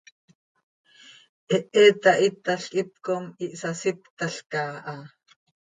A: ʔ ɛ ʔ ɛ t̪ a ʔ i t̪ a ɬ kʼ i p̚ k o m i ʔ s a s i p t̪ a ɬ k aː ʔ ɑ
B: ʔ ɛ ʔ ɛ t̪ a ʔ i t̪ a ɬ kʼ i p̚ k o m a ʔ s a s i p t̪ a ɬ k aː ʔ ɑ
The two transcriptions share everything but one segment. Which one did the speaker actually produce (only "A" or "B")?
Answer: A